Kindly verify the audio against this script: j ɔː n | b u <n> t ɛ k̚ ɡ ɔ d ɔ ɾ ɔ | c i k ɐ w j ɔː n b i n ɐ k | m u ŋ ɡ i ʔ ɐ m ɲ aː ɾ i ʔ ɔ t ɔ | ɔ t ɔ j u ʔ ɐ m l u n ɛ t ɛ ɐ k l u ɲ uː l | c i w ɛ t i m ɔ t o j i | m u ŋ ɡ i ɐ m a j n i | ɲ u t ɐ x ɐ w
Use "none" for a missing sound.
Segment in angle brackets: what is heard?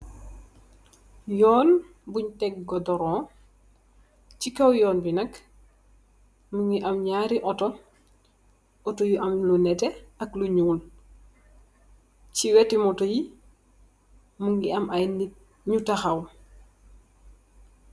ɲ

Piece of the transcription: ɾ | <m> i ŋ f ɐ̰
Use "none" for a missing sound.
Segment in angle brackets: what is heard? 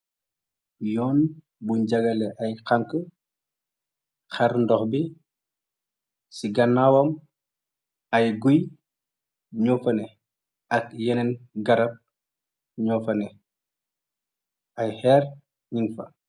ɲ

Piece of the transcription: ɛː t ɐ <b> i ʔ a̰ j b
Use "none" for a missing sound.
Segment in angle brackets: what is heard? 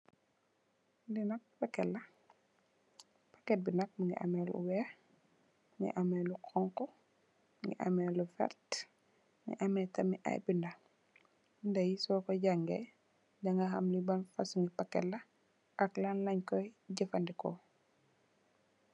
m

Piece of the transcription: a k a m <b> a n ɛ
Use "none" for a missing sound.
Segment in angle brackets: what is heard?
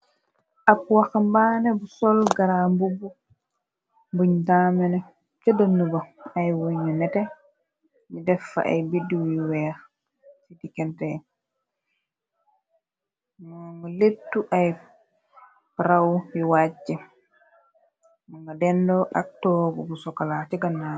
b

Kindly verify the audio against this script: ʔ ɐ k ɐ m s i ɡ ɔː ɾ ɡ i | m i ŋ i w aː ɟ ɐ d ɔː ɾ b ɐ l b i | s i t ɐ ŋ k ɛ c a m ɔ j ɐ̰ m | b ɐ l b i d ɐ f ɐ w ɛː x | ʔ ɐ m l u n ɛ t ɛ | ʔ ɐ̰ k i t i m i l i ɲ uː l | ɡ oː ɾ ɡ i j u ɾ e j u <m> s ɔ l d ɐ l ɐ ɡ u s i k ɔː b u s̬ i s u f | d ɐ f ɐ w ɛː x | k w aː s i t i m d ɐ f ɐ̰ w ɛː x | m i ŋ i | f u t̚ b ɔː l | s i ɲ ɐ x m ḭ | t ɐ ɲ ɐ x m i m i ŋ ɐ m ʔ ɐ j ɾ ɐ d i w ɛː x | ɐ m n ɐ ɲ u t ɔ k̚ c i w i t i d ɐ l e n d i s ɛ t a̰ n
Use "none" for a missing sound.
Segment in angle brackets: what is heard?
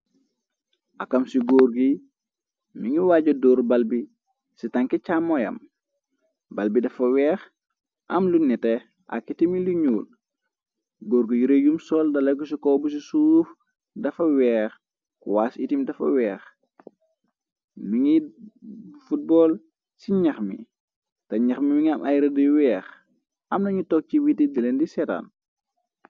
m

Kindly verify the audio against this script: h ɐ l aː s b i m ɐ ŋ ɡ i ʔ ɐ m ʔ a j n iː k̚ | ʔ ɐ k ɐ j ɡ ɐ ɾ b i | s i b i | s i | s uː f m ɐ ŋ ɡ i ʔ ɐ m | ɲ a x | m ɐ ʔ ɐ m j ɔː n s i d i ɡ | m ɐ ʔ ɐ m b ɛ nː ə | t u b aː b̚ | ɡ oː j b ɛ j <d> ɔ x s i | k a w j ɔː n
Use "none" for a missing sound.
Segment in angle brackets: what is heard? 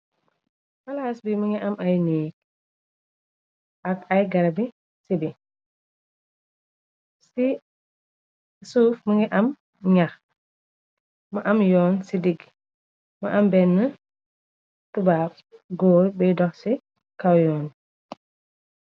d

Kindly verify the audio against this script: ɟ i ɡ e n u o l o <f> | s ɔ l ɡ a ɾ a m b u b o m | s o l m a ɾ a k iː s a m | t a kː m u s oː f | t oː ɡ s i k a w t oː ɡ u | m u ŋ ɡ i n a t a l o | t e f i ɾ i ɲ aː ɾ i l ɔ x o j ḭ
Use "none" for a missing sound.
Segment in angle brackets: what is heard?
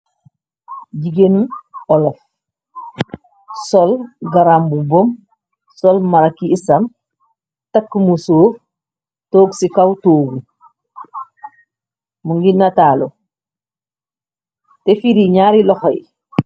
f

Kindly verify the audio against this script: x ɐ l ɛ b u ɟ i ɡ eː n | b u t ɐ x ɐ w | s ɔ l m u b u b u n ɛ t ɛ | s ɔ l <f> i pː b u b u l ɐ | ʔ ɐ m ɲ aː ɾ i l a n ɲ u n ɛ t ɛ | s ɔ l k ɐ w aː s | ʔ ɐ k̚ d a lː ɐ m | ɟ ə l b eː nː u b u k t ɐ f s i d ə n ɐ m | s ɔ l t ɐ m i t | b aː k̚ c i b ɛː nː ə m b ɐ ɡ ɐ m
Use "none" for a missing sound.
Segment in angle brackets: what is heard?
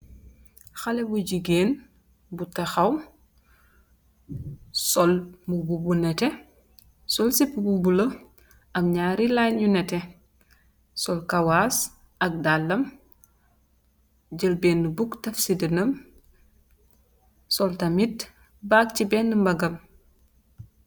s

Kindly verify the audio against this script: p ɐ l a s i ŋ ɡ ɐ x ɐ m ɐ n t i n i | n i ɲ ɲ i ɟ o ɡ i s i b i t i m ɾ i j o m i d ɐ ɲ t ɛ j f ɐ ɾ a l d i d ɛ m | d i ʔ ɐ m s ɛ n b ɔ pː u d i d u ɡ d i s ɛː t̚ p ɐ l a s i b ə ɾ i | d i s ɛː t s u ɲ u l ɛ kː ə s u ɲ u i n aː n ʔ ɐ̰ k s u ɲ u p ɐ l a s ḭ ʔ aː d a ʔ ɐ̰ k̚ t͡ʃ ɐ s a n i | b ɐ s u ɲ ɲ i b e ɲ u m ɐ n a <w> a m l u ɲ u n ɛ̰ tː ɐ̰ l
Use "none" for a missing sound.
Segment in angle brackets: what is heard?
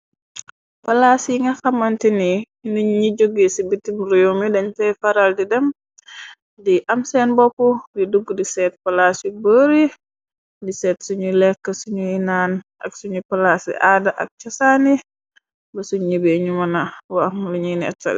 w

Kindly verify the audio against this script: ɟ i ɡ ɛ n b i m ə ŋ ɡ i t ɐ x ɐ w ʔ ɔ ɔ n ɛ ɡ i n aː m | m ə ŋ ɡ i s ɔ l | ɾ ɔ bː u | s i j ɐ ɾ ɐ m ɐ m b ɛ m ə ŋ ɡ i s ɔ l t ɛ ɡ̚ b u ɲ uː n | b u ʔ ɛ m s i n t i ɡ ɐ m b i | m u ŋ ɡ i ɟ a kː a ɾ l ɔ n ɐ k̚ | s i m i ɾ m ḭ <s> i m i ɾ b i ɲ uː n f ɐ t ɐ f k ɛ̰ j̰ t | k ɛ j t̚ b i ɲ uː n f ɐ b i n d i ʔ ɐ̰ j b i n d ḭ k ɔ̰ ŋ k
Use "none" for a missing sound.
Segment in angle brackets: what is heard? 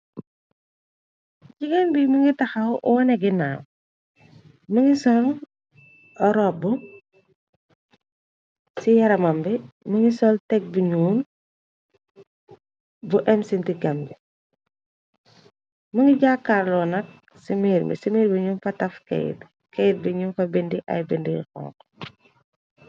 s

